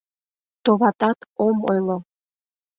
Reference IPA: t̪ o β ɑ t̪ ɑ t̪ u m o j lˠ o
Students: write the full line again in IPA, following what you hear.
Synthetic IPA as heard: t̪ o β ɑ t̪ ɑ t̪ o m o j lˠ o